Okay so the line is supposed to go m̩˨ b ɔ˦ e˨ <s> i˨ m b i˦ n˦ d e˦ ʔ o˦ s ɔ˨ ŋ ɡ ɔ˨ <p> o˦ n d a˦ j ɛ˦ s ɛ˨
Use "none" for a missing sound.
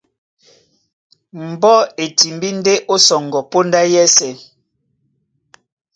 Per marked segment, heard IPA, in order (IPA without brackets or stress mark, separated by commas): t, p